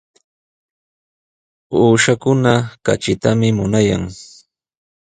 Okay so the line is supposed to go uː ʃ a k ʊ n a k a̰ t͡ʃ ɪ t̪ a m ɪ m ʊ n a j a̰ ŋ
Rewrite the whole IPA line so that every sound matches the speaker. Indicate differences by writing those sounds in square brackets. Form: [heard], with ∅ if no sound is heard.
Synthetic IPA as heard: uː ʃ a k ʊ n a k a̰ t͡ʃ ɪ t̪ a m ɪ m ʊ n a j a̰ ŋ